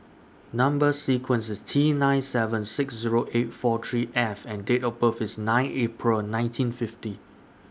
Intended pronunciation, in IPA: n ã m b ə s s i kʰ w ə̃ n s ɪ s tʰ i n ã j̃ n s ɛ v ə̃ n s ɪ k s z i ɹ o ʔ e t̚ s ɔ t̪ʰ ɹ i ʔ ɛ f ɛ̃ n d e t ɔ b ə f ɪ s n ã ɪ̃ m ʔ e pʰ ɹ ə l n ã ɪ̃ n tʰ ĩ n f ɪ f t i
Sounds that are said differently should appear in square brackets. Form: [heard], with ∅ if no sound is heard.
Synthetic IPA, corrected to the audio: n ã m b ə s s i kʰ w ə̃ n s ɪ s tʰ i n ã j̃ n s ɛ v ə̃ n s ɪ k s z i ɹ o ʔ e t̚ [f] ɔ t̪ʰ ɹ i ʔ ɛ f ɛ̃ n d e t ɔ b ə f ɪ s n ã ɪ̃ [n] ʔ e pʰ ɹ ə l n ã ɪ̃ n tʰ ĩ n f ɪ f t i